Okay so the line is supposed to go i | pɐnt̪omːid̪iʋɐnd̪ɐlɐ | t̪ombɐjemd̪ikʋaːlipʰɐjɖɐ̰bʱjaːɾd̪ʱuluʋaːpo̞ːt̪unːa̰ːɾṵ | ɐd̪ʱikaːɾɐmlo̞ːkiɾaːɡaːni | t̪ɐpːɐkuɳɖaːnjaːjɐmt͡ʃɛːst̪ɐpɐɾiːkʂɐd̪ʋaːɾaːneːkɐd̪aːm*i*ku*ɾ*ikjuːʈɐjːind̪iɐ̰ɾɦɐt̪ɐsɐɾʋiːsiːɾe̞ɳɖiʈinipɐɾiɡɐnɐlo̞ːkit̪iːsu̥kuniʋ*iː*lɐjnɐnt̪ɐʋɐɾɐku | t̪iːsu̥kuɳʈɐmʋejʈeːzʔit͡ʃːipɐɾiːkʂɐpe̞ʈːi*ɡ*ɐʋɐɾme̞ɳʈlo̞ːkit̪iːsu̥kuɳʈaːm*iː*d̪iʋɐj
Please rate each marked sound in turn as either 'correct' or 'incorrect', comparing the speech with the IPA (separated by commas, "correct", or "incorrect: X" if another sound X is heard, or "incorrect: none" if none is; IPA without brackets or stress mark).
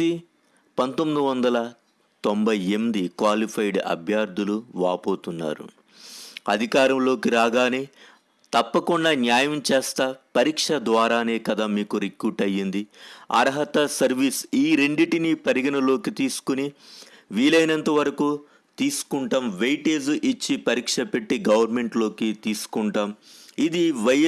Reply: incorrect: iː, correct, correct, correct, incorrect: i